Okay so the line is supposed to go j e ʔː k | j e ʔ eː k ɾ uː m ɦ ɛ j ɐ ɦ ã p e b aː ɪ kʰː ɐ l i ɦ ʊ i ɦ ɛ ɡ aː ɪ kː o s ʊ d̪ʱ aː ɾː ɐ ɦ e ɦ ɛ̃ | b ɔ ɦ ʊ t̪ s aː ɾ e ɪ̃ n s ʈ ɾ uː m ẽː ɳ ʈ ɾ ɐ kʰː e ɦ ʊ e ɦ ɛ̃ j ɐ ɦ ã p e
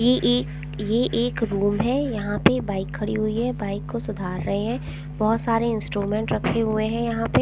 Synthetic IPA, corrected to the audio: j e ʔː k | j e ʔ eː k ɾ uː m ɦ ɛ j ɐ ɦ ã p e b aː ɪ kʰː ɐ ɽ i ɦ ʊ i ɦ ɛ b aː ɪ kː o s ʊ d̪ʱ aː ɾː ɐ ɦ e ɦ ɛ̃ | b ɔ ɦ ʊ t̪ s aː ɾ e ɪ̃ n s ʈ ɾ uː m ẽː ɳ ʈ ɾ ɐ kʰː e ɦ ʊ e ɦ ɛ̃ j ɐ ɦ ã p e